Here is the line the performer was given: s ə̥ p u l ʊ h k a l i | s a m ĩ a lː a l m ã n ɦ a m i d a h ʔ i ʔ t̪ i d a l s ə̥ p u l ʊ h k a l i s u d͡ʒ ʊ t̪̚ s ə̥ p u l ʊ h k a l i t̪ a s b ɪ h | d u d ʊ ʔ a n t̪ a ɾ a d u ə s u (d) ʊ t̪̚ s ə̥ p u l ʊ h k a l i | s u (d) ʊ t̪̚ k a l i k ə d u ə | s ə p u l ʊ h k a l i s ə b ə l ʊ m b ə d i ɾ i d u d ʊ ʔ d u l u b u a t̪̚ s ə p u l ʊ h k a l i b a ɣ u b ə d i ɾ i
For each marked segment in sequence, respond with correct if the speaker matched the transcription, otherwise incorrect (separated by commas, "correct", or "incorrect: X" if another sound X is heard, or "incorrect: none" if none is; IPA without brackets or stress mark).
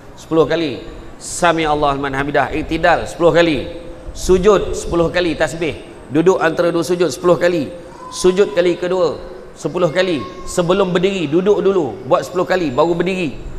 incorrect: d͡ʒ, incorrect: d͡ʒ